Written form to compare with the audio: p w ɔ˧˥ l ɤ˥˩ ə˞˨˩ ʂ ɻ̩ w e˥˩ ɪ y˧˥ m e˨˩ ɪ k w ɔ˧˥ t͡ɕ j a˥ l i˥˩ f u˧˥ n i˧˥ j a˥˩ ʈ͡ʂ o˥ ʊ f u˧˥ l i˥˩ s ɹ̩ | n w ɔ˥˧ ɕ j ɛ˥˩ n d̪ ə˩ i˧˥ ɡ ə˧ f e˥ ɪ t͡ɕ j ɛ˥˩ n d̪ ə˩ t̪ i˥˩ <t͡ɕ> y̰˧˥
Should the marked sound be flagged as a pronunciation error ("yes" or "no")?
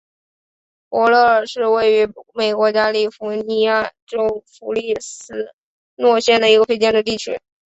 yes